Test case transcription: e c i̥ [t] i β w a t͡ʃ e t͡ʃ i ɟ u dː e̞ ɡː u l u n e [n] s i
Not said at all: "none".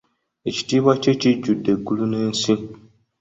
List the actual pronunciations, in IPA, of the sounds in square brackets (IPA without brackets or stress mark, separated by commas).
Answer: t, n